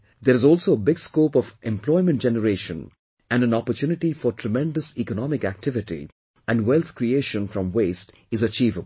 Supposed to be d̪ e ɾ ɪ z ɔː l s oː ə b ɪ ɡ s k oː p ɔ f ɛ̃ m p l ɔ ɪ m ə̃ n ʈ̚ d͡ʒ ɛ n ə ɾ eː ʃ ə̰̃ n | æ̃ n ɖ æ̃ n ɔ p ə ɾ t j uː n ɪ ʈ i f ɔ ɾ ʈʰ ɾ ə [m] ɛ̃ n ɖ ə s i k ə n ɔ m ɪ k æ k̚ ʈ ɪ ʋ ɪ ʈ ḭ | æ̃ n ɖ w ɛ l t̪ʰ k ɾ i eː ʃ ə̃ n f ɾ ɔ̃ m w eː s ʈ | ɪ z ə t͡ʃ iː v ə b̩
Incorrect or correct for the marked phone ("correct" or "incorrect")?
correct